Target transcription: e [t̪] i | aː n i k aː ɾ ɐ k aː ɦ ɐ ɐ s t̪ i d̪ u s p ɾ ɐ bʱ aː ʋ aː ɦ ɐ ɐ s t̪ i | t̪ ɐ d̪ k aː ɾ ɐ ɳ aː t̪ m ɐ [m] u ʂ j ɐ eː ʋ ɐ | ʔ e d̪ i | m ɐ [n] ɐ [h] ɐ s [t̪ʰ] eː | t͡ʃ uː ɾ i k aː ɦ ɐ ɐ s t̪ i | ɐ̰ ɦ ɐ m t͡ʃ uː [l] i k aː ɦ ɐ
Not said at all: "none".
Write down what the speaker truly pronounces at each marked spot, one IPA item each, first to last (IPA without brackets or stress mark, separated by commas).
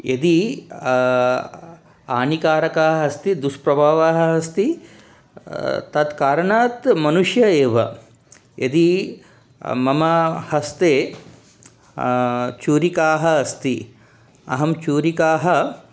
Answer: d̪, n, m, h, t̪, ɾ